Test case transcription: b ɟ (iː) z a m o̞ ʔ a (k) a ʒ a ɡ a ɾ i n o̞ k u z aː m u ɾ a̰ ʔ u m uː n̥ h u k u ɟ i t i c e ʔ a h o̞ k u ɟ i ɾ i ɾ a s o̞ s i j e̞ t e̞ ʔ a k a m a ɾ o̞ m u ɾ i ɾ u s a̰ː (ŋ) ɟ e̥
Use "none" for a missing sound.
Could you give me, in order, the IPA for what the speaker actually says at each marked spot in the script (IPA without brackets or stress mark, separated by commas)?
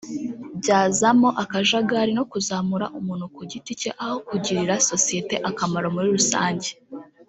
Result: aː, k, ɲ